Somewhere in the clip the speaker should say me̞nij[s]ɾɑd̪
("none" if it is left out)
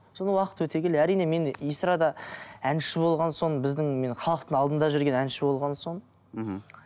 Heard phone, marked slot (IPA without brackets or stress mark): s